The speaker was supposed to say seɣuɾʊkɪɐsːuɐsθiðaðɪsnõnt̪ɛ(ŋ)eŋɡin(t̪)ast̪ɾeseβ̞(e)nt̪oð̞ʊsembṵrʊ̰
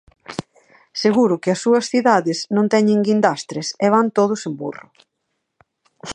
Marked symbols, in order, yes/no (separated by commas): no, no, no